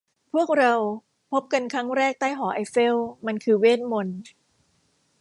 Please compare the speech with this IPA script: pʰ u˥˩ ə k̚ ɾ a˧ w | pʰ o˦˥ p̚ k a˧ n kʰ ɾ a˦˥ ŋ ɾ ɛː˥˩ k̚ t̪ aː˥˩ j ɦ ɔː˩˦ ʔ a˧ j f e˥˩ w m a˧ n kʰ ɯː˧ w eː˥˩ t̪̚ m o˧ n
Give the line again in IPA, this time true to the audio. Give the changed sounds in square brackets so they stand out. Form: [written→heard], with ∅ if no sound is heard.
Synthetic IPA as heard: pʰ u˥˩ ə k̚ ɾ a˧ w | pʰ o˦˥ p̚ k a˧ n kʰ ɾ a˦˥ ŋ ɾ ɛː˥˩ k̚ t̪ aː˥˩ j ɦ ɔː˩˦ ʔ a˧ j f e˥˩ w m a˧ n kʰ ɯː˧ w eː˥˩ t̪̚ m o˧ n

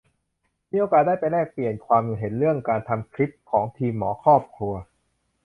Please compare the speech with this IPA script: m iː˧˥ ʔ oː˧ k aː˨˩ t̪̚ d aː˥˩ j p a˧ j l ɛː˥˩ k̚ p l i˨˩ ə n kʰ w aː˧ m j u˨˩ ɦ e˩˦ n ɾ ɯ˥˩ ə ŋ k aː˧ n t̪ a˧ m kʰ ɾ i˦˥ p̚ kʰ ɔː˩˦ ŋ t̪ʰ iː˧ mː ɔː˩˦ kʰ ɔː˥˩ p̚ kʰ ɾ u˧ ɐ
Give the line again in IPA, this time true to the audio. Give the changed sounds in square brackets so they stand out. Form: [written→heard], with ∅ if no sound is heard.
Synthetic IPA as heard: m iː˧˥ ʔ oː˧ k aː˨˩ t̪̚ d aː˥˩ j p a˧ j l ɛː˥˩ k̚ p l i˨˩ ə n kʰ w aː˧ m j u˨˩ ɦ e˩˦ n ɾ ɯ˥˩ ə ŋ k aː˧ n [t̪→t̪ʰ] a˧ m kʰ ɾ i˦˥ p̚ kʰ ɔː˩˦ ŋ t̪ʰ iː˧ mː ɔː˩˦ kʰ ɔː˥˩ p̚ kʰ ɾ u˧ ɐ

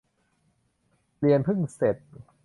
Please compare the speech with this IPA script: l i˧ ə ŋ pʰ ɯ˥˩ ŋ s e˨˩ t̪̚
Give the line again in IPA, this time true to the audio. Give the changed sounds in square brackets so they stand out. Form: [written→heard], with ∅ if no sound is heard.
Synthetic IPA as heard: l i˧ ə [ŋ→n] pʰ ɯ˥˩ ŋ s e˨˩ t̪̚

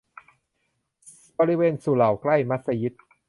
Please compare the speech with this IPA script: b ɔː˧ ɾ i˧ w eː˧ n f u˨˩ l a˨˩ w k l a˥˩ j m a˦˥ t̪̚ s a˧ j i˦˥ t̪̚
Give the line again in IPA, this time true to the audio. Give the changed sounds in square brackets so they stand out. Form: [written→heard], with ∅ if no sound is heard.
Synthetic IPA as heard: b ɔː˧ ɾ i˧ w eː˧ n [f→s] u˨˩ l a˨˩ w k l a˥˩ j m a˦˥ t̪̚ s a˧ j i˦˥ t̪̚

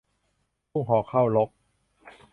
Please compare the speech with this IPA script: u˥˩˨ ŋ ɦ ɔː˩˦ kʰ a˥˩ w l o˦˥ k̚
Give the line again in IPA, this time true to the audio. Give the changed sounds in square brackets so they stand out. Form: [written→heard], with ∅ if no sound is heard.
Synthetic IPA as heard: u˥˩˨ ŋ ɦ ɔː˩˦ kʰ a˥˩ w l o˦˥ k̚

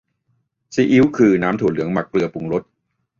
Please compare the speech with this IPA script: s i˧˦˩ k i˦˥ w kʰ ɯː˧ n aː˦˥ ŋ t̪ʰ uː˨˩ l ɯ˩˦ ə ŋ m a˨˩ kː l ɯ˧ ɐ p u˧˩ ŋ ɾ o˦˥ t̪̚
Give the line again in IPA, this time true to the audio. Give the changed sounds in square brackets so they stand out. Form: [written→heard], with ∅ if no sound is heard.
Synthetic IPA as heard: s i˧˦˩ [k→ʔ] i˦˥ w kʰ ɯː˧ n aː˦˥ [ŋ→m] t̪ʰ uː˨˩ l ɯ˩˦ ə ŋ m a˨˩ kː l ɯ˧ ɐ p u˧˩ ŋ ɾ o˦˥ t̪̚

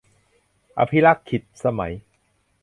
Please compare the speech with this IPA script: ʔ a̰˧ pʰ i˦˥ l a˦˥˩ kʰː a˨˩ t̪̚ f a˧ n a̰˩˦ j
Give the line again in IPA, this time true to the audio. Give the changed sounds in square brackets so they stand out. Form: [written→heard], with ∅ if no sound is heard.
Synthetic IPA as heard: ʔ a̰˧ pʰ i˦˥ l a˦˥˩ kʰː [a˨˩→i˨˩] t̪̚ [f→s] a˧ [n→m] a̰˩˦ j

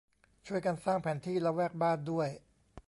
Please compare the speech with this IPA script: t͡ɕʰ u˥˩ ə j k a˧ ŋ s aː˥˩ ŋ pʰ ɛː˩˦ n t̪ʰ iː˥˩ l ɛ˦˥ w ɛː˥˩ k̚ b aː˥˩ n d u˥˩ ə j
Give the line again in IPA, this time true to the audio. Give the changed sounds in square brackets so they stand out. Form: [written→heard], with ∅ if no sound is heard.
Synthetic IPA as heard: t͡ɕʰ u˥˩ ə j k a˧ [ŋ→n] s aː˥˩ ŋ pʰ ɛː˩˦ n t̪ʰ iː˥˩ l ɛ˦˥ w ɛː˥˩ k̚ b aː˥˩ n d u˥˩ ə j

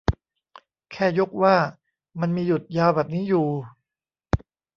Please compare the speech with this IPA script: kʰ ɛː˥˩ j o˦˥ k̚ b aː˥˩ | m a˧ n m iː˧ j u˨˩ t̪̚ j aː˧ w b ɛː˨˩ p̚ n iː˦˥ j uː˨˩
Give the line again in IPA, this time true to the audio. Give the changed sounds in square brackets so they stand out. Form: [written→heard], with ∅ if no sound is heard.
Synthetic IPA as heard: kʰ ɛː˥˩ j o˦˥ k̚ [b→w] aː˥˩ | m a˧ n m iː˧ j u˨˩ t̪̚ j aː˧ w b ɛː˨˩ p̚ n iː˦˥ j uː˨˩

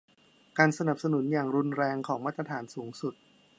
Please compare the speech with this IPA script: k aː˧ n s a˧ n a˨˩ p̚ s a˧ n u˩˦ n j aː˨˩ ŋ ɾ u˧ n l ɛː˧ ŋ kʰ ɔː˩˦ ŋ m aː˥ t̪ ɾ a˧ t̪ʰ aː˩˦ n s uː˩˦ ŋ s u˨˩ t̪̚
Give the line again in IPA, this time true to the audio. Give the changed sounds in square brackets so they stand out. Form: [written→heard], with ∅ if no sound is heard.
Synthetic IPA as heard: k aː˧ n s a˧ n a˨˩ p̚ s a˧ n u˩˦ n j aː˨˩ ŋ ɾ u˧ n [l→ɾ] ɛː˧ ŋ kʰ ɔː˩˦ ŋ m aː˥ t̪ ɾ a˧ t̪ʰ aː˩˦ n s uː˩˦ ŋ s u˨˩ t̪̚

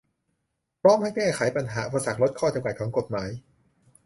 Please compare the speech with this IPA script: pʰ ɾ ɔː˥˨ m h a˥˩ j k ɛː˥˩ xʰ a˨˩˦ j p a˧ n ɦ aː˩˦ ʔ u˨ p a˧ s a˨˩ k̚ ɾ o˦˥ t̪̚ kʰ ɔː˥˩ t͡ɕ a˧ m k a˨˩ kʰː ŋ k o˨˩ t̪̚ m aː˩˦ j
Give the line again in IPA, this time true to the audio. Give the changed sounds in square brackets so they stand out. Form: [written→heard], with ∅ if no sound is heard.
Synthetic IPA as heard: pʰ ɾ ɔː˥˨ m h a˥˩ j k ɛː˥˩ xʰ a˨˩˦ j p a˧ n ɦ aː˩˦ ʔ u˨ p a˧ s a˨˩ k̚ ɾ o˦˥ t̪̚ kʰ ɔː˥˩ t͡ɕ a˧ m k a˨˩ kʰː ŋ k o˨˩ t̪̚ m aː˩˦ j

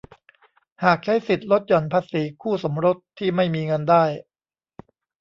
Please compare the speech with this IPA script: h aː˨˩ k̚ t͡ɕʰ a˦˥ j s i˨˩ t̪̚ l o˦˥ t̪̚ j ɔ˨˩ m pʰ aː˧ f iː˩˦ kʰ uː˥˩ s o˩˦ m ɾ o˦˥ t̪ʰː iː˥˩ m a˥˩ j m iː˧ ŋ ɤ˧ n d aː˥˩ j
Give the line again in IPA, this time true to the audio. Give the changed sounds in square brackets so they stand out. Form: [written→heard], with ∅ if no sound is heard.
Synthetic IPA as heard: h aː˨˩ k̚ t͡ɕʰ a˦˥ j s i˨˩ t̪̚ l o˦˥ t̪̚ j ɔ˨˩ [m→n] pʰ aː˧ [f→s] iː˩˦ kʰ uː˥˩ s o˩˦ m ɾ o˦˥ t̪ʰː iː˥˩ m a˥˩ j m iː˧ ŋ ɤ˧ n d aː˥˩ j

